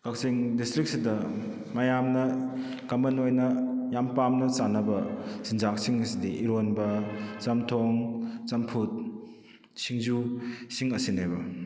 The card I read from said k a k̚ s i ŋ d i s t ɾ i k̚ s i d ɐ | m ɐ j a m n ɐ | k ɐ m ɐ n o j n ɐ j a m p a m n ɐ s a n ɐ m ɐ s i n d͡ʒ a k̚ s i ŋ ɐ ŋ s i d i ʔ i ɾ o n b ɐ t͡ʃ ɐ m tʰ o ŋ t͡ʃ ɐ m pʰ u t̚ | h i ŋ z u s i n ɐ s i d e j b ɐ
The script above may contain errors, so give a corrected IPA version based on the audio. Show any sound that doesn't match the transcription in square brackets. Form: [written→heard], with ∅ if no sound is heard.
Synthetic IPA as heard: k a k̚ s i ŋ d i s t ɾ i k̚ s i d ɐ | m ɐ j a m n ɐ | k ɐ m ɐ n o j n ɐ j a m p a m n ɐ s a n ɐ [m→b] ɐ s i n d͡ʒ a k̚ s i ŋ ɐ [ŋ→∅] s i d i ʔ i ɾ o n b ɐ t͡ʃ ɐ m tʰ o ŋ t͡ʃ ɐ m pʰ u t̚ | [h→s] i ŋ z u s i [n→ŋ] ɐ s i [d→n] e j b ɐ